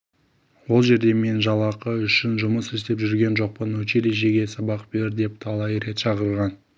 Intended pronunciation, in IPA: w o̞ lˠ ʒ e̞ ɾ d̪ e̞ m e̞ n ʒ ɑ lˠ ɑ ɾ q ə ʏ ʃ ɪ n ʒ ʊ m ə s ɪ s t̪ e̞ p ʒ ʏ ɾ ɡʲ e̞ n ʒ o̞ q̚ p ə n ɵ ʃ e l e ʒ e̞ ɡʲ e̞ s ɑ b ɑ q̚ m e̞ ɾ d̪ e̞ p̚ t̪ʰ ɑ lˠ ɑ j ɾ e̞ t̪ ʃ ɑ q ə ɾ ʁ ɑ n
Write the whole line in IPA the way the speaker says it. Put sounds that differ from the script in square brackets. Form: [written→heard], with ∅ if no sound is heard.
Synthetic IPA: w o̞ lˠ ʒ e̞ ɾ d̪ e̞ m e̞ n ʒ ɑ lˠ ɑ [ɾ→∅] q ə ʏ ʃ ɪ n ʒ ʊ m ə s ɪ s t̪ e̞ p ʒ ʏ ɾ ɡʲ e̞ n ʒ o̞ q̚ p ə n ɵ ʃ e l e ʒ e̞ ɡʲ e̞ s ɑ b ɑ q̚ [m→b] e̞ ɾ d̪ e̞ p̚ t̪ʰ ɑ lˠ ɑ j ɾ e̞ t̪ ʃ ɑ q ə ɾ ʁ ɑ n